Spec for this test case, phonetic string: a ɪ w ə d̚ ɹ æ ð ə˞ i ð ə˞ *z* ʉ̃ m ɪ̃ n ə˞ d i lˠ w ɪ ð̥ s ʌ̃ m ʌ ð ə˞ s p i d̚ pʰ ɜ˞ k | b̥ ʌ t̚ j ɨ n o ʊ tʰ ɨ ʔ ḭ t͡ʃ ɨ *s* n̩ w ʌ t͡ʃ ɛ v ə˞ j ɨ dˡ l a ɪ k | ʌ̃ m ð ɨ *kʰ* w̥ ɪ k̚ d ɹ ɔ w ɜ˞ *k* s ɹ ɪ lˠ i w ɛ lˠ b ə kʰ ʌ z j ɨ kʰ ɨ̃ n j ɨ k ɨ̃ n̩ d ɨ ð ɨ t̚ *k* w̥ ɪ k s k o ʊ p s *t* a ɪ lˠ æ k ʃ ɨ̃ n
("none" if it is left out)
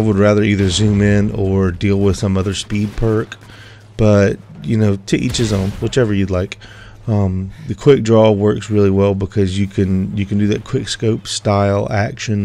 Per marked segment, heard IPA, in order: z, z, kʰ, k, kʰ, t

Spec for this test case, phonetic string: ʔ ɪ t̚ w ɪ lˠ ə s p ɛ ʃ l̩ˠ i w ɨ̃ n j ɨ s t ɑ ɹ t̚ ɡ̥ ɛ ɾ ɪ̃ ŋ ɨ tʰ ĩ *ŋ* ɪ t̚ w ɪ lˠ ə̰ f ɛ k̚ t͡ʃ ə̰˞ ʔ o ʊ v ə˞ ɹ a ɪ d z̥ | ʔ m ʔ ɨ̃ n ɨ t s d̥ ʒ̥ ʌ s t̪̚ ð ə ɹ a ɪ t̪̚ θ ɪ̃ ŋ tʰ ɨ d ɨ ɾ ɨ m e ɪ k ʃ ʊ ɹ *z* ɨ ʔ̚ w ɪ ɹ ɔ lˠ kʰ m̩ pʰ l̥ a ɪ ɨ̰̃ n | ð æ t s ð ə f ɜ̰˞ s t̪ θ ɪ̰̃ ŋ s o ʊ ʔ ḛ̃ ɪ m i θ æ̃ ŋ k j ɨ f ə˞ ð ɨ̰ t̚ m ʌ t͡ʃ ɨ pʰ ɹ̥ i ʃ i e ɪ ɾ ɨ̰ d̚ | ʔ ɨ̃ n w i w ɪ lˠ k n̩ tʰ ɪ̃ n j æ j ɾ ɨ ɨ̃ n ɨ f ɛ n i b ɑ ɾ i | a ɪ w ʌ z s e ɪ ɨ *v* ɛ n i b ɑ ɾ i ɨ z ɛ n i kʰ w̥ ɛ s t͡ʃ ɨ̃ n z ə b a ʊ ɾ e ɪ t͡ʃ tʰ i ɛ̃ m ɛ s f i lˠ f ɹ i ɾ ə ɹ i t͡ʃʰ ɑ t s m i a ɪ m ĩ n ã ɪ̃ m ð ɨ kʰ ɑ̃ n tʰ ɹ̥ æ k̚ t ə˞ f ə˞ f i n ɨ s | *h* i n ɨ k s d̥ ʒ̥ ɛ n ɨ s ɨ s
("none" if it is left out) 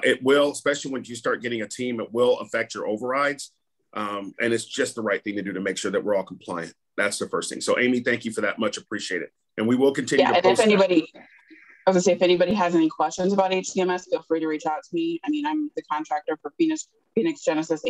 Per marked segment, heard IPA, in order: m, ð, f, f

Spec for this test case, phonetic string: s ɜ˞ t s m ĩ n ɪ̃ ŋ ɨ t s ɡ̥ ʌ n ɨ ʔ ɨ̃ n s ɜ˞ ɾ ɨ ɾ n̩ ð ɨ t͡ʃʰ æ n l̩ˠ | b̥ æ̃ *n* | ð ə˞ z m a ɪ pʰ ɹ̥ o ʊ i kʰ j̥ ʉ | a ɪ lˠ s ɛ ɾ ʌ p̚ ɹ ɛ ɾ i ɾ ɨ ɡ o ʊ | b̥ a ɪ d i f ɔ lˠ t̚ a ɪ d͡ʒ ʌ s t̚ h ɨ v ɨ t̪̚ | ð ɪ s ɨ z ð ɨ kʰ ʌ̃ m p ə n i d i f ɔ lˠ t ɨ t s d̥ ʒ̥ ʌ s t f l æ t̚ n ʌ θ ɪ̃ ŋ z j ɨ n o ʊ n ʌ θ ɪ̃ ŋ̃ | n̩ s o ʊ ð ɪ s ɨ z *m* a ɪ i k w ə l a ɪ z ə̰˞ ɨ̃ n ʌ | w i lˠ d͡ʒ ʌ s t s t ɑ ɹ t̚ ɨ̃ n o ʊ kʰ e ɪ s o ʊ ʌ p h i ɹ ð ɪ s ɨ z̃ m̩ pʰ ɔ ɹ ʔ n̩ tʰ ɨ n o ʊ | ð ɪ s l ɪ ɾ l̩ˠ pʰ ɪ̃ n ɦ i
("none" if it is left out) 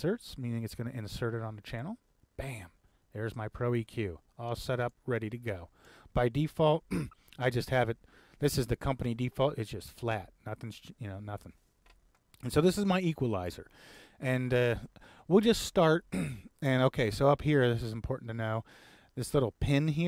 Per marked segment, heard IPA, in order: m, m

